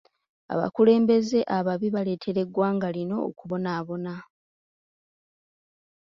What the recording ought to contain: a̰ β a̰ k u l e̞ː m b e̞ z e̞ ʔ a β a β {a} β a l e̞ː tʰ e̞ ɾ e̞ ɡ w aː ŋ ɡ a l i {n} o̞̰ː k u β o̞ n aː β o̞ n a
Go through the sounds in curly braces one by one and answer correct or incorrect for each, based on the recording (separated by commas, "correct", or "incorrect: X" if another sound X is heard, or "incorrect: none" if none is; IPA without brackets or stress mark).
incorrect: i, correct